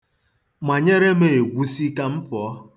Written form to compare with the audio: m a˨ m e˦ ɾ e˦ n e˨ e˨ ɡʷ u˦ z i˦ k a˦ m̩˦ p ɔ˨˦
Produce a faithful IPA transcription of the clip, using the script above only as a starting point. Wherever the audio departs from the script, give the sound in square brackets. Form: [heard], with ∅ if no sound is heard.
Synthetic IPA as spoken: m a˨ [ɲ] e˦ ɾ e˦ [m] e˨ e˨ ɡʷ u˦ [s] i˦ k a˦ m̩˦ p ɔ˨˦

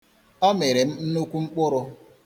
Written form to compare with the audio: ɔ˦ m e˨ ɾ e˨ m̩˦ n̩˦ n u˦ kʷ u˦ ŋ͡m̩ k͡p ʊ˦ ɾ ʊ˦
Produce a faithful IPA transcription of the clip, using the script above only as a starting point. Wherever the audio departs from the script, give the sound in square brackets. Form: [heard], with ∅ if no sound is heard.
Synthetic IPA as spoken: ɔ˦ m e˨ ɾ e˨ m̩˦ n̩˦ n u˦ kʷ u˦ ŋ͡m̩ k͡p ʊ˦ ɾ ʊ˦

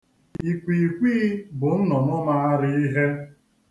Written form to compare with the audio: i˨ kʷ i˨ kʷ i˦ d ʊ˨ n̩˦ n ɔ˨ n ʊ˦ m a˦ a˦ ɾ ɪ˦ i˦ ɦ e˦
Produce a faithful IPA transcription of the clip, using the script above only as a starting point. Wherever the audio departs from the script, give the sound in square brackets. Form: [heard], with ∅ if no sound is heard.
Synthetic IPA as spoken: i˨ kʷ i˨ kʷ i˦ [b] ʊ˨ n̩˦ n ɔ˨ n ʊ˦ m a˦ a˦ ɾ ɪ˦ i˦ ɦ e˦

